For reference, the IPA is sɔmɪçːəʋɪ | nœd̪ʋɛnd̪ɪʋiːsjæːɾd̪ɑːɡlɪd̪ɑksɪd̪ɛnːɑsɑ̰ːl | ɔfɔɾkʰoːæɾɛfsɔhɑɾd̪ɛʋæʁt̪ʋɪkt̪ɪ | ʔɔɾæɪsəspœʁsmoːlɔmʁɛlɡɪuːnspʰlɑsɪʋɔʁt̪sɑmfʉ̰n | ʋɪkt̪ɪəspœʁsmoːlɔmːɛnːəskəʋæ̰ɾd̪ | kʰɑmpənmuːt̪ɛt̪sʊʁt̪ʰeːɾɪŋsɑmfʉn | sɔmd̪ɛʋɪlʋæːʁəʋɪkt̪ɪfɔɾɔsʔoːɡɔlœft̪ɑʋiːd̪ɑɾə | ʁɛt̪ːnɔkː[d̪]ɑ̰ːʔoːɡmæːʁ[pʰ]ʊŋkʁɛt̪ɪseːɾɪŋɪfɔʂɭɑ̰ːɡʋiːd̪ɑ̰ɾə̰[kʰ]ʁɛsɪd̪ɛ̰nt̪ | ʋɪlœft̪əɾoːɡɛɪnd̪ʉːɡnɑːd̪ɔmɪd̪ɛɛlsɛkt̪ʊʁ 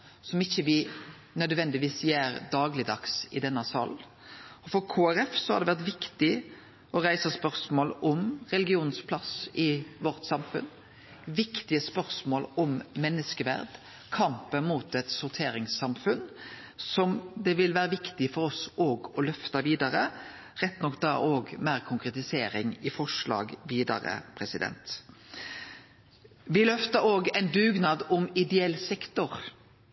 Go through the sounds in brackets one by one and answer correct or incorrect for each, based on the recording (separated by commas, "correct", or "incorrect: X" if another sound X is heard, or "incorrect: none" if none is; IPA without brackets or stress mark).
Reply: correct, incorrect: kʰ, incorrect: pʰ